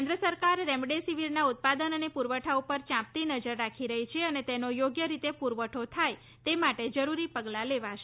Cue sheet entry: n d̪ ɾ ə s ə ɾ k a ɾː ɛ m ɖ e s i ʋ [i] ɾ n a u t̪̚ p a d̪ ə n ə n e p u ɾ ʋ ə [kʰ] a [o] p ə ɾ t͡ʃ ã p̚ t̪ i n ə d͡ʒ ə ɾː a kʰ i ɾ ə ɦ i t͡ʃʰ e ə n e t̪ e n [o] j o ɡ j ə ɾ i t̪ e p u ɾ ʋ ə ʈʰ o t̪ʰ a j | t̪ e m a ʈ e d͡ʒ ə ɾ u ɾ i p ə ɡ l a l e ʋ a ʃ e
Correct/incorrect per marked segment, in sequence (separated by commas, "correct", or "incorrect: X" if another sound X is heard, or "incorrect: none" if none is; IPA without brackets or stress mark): correct, incorrect: ʈʰ, incorrect: u, correct